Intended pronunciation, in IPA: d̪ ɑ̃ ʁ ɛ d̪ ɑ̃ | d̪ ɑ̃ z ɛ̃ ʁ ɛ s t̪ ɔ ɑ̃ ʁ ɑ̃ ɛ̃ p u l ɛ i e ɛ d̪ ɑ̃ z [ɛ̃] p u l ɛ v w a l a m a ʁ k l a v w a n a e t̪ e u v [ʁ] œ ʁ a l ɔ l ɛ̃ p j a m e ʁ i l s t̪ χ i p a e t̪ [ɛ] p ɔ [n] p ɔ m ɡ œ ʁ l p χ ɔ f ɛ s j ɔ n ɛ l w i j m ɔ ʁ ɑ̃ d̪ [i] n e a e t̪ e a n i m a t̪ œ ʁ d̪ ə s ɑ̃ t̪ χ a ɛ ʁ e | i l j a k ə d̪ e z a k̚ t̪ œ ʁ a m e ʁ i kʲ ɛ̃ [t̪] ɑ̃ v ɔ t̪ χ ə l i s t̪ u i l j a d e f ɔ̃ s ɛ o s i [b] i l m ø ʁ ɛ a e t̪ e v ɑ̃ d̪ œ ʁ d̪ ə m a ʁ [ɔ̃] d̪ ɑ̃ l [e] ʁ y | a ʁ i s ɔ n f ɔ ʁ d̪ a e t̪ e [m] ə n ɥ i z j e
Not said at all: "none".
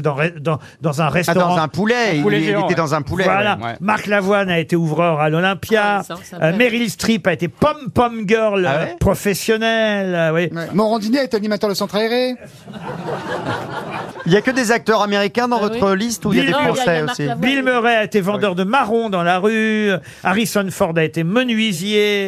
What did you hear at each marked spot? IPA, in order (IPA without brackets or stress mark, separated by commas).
ɛ̃, ʁ, e, m, i, d̪, b, ɔ̃, a, m